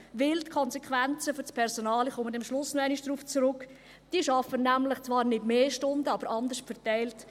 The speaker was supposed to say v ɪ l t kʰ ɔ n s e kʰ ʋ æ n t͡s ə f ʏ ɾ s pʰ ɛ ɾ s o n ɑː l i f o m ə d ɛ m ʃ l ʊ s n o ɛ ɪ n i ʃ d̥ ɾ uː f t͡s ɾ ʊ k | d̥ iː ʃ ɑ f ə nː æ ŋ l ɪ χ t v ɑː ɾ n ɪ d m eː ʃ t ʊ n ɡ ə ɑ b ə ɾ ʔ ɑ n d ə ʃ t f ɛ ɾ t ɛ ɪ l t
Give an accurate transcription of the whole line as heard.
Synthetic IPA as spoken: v ɪ l t kʰ ɔ n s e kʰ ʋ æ n t͡s ə f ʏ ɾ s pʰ ɛ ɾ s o n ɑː l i χ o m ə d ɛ m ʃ l ʊ s n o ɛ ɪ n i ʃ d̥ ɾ uː f t͡s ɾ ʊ k | d̥ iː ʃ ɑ f ə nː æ m l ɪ χ t͡s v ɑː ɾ n ɪ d m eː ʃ t ʊ n d ə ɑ b ə ɾ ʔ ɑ n d ə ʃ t f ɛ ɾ t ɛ ɪ l t